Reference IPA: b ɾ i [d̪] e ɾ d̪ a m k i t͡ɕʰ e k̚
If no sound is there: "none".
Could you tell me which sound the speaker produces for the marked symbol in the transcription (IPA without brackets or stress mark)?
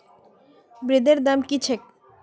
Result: d̪